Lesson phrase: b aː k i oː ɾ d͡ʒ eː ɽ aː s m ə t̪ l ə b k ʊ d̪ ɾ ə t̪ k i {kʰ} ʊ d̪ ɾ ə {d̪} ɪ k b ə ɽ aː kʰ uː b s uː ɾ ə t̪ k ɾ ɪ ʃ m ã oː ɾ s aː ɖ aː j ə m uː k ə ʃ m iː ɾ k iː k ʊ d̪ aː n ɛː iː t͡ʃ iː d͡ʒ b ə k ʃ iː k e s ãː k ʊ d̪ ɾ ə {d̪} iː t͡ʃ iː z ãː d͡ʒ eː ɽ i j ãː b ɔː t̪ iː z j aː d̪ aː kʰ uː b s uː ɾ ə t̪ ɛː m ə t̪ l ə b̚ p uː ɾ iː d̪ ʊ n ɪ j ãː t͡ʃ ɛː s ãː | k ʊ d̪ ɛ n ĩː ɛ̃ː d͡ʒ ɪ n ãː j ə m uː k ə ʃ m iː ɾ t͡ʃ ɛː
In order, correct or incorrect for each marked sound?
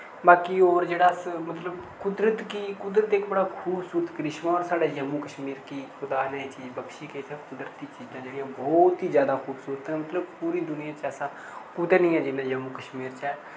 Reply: incorrect: k, incorrect: t̪, incorrect: t̪

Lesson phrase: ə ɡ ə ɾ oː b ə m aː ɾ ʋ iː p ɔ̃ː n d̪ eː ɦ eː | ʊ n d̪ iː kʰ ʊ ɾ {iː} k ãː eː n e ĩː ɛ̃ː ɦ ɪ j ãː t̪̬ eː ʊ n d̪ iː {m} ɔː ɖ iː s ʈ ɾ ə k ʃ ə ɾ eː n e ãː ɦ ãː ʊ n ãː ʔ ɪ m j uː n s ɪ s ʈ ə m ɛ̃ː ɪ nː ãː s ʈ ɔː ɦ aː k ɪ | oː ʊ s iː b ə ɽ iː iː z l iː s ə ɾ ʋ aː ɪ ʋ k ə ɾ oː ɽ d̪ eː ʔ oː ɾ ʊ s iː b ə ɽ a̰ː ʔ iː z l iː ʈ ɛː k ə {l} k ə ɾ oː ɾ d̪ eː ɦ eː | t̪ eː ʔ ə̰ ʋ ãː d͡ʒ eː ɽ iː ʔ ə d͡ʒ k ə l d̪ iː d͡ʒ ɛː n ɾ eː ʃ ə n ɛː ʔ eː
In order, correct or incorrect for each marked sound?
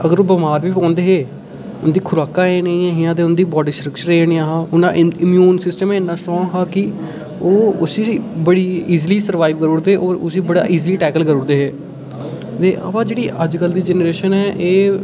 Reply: incorrect: aː, incorrect: b, correct

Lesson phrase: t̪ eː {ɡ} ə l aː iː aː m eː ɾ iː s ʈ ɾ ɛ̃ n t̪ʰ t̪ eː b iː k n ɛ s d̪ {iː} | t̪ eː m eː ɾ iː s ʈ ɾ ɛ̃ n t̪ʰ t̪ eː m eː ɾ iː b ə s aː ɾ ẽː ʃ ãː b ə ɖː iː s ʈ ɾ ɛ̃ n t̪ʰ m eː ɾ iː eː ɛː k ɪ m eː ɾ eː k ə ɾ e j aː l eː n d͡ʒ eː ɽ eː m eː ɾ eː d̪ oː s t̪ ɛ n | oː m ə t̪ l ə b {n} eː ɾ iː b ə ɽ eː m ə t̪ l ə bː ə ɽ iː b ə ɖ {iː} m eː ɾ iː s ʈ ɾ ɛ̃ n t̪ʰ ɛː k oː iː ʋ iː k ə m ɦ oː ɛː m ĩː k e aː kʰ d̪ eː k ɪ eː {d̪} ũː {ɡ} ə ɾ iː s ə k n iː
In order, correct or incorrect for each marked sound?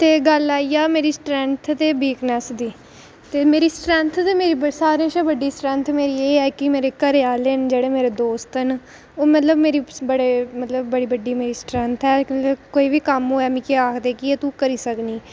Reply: correct, correct, incorrect: m, correct, incorrect: t̪, incorrect: k

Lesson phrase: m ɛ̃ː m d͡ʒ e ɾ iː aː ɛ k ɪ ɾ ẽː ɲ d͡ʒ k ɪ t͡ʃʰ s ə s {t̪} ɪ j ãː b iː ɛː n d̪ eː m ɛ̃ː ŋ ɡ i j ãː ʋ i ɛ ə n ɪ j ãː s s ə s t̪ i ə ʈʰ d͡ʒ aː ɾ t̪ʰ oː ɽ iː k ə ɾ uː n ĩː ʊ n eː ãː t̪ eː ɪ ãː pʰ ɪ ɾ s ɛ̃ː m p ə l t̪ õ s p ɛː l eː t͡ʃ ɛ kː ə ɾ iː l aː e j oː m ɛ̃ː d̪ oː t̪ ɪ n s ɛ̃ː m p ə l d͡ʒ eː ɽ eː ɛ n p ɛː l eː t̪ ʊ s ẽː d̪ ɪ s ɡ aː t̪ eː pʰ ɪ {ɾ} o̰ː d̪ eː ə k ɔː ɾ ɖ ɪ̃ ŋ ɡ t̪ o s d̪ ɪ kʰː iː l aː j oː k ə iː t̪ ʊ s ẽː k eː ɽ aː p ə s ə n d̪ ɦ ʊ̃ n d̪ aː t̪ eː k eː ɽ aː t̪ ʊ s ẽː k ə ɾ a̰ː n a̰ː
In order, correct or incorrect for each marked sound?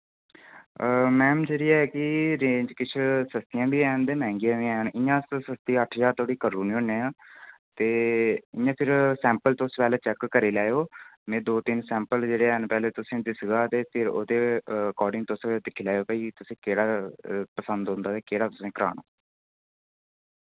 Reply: correct, correct

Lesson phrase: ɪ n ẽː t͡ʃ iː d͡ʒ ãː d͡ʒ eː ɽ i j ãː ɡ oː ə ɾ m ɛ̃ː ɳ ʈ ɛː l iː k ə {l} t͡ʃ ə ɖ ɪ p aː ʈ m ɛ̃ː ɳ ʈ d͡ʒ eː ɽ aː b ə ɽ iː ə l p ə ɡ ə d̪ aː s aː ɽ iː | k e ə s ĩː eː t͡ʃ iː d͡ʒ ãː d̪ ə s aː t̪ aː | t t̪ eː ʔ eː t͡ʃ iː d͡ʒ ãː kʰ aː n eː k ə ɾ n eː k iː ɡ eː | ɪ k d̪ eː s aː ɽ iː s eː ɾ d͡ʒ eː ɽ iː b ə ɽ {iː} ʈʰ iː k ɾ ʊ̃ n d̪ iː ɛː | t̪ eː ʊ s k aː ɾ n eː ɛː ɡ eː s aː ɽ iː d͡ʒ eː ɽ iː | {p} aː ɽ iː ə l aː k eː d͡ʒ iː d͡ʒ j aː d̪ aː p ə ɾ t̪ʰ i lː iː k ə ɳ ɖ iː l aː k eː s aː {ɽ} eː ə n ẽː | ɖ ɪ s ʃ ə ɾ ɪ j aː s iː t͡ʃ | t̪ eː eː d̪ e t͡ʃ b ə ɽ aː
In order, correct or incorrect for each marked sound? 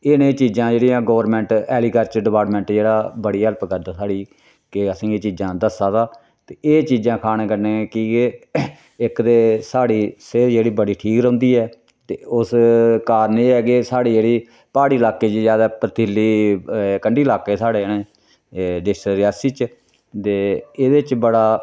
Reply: incorrect: ɾ, correct, correct, correct

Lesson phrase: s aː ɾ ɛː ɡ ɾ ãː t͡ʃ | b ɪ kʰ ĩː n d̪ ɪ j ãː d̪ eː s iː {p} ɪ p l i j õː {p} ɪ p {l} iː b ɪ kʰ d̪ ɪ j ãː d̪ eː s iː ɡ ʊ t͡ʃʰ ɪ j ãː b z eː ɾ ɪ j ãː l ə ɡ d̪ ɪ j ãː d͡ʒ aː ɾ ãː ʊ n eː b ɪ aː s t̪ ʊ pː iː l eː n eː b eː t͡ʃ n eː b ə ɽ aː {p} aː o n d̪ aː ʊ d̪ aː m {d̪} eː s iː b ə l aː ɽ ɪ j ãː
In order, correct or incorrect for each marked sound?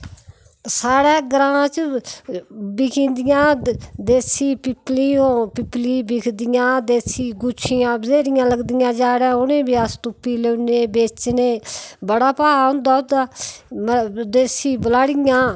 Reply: correct, correct, correct, correct, correct

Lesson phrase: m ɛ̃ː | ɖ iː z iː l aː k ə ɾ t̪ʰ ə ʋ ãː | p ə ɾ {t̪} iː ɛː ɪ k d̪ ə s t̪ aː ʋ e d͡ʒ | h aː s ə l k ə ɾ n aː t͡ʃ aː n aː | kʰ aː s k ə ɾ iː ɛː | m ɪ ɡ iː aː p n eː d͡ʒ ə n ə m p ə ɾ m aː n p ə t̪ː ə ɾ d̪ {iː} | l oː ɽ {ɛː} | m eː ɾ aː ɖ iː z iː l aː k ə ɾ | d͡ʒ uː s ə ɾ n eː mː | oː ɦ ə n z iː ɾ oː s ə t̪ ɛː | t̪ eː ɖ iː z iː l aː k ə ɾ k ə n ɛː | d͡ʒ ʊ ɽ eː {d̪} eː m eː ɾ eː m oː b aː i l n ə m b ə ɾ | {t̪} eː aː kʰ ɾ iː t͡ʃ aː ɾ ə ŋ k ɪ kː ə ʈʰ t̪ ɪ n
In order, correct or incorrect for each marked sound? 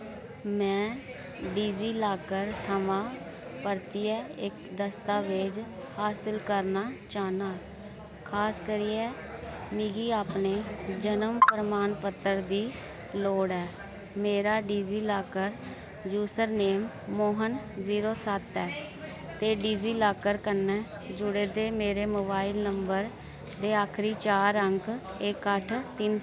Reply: correct, correct, correct, correct, incorrect: d̪

